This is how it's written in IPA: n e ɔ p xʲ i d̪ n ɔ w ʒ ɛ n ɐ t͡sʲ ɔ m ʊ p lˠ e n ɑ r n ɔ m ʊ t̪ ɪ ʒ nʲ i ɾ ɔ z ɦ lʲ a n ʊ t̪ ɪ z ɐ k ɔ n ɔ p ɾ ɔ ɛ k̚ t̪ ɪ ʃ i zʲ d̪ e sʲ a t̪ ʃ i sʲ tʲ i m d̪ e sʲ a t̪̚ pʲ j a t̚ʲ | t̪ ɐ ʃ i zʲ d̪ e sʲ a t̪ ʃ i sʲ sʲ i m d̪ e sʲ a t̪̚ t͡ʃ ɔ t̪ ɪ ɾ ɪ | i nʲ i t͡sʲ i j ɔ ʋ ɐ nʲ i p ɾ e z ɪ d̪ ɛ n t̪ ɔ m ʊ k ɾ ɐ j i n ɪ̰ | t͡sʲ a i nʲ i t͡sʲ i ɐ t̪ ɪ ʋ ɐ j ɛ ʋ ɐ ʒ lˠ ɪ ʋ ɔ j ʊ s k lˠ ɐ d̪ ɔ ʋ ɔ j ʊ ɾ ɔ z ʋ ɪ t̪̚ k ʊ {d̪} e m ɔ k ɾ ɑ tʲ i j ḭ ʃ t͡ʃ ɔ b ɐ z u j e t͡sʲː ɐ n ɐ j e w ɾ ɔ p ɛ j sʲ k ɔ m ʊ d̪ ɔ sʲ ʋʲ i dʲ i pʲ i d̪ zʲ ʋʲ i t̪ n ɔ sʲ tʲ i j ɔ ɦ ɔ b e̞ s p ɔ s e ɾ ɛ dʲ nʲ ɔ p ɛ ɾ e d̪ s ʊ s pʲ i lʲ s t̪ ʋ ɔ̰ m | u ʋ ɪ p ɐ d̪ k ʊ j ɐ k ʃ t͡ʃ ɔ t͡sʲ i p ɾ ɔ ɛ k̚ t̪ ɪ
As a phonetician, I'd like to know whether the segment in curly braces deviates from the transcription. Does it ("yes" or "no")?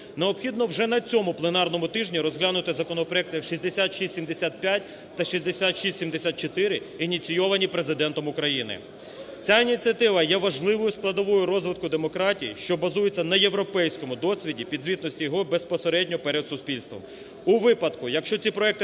no